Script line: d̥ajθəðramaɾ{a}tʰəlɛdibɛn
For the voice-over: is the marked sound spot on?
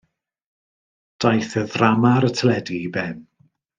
no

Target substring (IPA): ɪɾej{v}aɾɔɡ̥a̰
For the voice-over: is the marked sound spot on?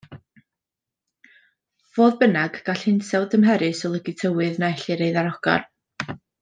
no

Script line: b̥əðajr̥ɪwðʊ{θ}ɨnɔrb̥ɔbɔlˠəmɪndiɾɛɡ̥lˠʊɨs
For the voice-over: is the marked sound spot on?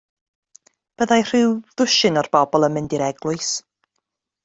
no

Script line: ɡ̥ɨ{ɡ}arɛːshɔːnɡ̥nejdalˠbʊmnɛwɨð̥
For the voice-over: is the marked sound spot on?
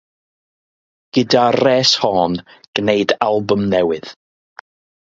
no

